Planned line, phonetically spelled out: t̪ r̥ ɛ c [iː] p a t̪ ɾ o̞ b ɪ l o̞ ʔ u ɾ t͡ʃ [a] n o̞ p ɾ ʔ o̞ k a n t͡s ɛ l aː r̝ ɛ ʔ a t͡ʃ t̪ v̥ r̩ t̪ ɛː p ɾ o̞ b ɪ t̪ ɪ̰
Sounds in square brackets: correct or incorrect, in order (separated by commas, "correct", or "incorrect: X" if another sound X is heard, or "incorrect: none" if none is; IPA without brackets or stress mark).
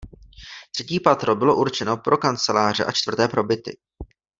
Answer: correct, incorrect: ɛ